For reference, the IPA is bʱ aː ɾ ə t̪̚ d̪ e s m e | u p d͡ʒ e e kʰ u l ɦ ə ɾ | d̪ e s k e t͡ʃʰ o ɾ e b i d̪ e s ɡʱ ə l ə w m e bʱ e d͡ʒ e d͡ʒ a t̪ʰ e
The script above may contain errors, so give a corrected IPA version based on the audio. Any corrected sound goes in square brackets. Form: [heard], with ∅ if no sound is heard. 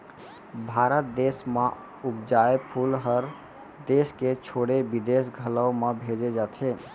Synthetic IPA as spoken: bʱ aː ɾ ə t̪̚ d̪ e s m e | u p d͡ʒ [a] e [pʰ] u l ɦ ə ɾ | d̪ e s k e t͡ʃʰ o [ɽ] e b i d̪ e s ɡʱ ə l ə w m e bʱ e d͡ʒ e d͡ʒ a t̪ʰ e